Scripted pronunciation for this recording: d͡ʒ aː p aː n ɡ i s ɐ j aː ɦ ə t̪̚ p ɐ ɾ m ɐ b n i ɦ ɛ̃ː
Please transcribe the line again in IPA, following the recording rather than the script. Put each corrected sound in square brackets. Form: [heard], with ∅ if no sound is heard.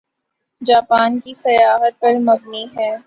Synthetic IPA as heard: d͡ʒ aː p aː n [k] i s ɐ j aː ɦ ə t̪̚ p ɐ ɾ m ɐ b n i ɦ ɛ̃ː